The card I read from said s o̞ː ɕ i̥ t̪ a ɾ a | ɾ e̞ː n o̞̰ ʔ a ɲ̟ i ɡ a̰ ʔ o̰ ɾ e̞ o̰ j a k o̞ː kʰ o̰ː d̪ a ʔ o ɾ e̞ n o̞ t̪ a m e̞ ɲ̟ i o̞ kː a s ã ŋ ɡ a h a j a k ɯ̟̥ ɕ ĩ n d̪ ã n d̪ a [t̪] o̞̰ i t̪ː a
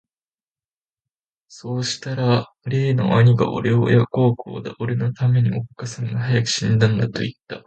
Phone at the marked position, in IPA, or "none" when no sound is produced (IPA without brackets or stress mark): t̪